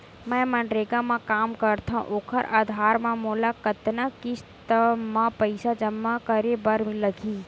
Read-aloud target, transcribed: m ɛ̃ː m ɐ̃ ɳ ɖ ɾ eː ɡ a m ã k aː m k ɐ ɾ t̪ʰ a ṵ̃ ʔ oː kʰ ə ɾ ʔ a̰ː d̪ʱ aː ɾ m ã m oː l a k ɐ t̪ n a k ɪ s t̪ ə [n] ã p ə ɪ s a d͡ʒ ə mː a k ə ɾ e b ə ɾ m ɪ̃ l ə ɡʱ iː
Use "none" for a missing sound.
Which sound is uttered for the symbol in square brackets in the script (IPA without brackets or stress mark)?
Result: m